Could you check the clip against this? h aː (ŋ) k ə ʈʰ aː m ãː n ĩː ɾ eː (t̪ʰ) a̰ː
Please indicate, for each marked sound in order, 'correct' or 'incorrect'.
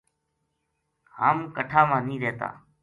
incorrect, incorrect

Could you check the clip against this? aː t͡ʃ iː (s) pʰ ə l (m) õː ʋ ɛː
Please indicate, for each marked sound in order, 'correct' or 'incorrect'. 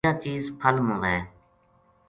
incorrect, correct

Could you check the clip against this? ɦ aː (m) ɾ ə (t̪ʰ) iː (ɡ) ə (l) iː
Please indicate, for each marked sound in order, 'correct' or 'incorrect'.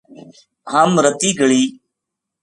correct, incorrect, correct, incorrect

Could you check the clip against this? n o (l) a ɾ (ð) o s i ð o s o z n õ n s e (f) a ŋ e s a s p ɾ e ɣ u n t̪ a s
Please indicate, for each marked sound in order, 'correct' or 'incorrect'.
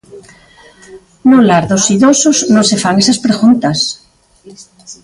correct, correct, correct

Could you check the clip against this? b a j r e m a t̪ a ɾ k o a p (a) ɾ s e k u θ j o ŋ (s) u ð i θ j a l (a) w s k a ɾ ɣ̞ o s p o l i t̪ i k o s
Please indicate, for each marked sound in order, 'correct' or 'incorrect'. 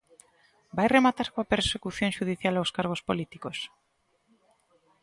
incorrect, incorrect, correct

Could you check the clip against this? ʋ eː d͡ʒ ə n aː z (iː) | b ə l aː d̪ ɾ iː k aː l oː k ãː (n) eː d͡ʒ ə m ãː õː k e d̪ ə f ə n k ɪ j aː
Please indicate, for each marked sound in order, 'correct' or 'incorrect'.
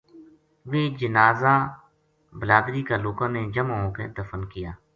incorrect, correct

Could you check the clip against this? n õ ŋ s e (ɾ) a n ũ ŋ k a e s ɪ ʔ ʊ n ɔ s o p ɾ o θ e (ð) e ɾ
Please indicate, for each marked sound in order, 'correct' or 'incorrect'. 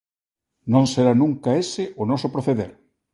correct, correct

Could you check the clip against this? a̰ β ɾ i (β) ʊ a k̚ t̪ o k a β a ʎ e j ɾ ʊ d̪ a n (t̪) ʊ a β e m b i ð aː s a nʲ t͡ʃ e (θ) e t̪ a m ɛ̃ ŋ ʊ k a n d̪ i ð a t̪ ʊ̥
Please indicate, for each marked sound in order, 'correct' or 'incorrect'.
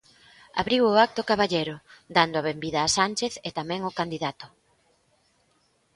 incorrect, incorrect, correct

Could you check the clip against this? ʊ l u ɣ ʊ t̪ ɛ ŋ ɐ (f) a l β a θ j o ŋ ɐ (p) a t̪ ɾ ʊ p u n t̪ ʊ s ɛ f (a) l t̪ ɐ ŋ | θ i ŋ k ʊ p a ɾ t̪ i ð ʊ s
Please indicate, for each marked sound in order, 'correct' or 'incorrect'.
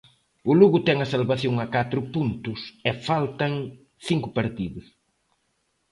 incorrect, incorrect, correct

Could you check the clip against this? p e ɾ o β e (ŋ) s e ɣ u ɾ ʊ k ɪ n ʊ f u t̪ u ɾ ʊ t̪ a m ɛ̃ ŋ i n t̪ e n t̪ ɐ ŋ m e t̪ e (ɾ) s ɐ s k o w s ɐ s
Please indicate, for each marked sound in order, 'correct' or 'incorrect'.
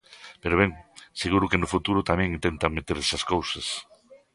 correct, correct

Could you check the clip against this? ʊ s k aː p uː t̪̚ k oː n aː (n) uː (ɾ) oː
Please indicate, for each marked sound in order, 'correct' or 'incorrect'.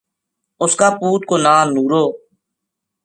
correct, correct

